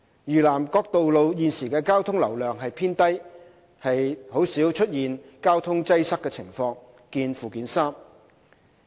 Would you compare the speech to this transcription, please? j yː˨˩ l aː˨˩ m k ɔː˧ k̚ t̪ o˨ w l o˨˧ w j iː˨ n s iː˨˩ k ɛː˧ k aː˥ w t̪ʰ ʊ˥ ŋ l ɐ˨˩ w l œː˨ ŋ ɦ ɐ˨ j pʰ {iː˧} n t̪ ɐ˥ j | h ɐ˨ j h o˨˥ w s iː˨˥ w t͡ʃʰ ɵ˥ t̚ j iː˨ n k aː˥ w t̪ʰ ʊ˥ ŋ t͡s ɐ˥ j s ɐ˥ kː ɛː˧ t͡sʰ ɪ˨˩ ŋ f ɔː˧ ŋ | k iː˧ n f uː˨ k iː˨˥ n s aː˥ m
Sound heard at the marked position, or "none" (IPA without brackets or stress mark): iː˥